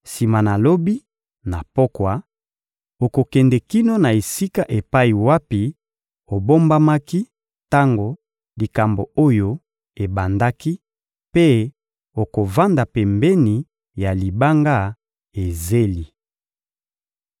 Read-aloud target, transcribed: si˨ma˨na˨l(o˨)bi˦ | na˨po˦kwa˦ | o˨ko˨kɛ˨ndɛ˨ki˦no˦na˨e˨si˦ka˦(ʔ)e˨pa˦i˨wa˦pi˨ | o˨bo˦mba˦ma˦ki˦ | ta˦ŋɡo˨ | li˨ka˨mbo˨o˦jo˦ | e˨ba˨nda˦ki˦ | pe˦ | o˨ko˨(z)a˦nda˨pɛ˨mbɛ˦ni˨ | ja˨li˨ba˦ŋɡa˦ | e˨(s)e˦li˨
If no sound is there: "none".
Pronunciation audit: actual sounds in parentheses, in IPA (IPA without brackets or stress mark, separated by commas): o˦, ʔ, v, z